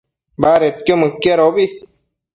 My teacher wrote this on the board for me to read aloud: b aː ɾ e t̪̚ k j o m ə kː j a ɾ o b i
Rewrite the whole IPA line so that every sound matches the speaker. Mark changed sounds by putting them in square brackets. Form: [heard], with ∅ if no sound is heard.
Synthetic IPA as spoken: b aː ɾ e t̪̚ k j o m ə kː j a ɾ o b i